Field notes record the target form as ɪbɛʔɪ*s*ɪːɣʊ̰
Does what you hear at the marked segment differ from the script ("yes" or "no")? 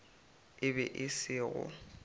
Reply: no